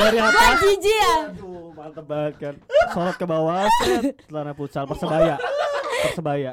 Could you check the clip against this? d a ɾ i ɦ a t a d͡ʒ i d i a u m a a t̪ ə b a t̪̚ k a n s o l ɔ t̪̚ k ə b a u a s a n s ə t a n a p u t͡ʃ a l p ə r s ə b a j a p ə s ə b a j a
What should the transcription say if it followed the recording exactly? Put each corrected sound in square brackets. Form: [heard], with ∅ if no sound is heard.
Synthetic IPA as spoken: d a ɾ i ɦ a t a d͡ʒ i [d͡ʒ] i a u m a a t̪ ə b a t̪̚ k a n s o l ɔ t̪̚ k ə b a [w] a s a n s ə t a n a p u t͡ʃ a l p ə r s ə b a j a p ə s ə b a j a